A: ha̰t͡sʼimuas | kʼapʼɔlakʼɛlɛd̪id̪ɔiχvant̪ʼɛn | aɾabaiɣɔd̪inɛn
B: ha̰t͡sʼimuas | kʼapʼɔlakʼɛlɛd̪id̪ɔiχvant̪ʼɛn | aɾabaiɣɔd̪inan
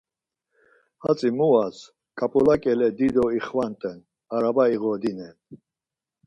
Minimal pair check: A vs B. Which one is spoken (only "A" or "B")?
A